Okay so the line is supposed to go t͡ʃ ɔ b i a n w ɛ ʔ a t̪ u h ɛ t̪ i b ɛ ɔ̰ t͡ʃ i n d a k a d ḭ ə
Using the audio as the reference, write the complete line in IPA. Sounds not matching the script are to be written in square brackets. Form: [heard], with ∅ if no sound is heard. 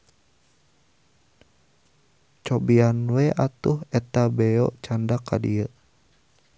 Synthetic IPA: t͡ʃ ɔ b i a n w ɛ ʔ a t̪ u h ɛ t̪ [a] b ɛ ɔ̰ t͡ʃ [a] n d a k a d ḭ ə